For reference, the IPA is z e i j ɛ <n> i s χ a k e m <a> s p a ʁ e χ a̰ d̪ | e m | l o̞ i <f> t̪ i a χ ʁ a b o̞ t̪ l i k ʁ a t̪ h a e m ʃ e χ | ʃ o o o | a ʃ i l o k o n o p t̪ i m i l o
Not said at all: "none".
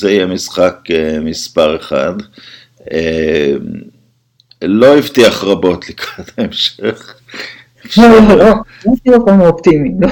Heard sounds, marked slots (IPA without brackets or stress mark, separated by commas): m, i, v